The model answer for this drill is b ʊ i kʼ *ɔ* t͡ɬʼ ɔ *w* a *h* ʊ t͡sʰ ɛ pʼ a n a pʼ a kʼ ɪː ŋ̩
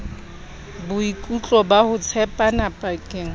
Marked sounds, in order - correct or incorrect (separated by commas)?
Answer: incorrect, incorrect, correct